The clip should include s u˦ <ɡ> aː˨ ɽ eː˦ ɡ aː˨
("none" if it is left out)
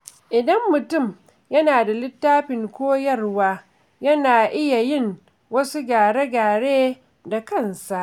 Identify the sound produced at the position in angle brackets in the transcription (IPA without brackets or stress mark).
ɡ